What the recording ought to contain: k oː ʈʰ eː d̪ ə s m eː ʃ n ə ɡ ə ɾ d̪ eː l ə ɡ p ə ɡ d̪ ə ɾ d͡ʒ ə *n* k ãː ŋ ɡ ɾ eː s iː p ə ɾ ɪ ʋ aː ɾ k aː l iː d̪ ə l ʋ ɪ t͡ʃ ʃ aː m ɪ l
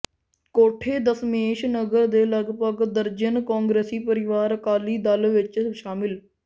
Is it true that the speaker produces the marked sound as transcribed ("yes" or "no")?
yes